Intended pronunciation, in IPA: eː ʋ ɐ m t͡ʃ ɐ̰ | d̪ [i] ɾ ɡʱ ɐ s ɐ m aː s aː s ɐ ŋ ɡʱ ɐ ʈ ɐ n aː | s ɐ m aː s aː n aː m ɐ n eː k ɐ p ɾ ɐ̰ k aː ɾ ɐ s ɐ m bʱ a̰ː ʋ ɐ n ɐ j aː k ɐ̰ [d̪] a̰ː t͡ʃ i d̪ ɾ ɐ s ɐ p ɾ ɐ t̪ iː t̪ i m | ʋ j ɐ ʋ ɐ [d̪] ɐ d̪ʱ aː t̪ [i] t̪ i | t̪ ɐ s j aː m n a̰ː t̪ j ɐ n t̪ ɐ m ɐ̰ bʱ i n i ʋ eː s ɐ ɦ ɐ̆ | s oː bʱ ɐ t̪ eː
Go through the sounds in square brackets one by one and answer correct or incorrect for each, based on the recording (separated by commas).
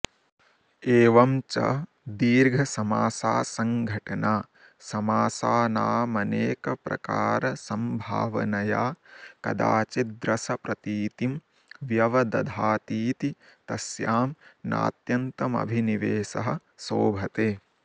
incorrect, correct, correct, incorrect